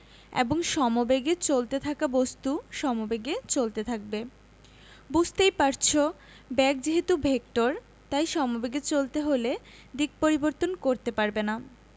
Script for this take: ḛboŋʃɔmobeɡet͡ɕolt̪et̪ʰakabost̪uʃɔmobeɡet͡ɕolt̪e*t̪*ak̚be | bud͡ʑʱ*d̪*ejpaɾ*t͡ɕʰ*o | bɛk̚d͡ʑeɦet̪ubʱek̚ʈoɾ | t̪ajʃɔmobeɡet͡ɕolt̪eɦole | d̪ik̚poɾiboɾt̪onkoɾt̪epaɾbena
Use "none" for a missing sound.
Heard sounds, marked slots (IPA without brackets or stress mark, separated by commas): t̪ʰ, t̪, t͡ɕʰ